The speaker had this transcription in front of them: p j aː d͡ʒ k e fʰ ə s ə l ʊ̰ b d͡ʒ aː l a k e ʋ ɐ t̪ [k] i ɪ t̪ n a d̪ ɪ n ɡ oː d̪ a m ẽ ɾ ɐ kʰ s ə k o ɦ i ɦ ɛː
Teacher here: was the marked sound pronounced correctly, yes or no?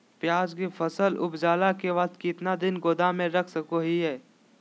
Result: yes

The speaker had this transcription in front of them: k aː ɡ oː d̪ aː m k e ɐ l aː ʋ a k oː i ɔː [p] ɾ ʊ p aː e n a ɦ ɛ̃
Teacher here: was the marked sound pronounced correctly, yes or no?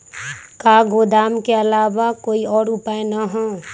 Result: no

